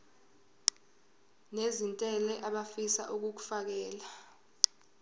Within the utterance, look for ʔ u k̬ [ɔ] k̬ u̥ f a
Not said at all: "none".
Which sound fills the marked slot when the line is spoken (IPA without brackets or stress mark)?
u